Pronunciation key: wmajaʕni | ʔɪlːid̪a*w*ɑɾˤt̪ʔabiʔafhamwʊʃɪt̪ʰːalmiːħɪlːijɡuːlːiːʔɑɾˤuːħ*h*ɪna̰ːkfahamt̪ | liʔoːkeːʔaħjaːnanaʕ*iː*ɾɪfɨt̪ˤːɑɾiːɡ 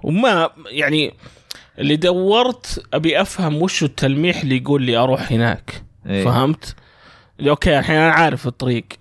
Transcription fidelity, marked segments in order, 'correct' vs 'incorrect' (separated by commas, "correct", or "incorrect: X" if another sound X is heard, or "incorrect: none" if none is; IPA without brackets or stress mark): incorrect: wː, correct, incorrect: aː